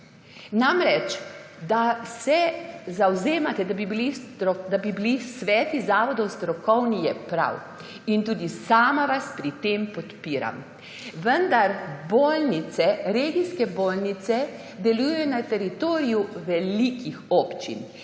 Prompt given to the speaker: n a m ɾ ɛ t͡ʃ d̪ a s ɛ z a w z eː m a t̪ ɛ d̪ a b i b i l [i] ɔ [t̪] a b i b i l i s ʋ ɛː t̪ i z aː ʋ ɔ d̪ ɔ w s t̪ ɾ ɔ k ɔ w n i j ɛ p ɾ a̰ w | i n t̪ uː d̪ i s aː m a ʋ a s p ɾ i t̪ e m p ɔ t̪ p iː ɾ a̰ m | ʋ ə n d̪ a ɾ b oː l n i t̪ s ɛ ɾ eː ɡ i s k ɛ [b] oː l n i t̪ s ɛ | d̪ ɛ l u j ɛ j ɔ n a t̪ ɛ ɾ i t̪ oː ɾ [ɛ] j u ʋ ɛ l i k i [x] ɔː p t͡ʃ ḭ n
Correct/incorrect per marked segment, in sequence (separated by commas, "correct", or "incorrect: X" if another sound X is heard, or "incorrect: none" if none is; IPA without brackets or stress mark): correct, incorrect: d̪, correct, incorrect: i, correct